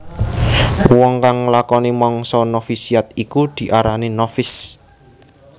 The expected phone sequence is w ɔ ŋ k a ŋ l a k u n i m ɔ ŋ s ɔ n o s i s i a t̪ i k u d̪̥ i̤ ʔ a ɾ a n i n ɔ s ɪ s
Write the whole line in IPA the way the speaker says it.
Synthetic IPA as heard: w ɔ ŋ k a ŋ l a k ɔ n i m ɔ ŋ s ɔ n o f i s i a t̪ i k u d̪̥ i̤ ʔ a ɾ a n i n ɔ f ɪ s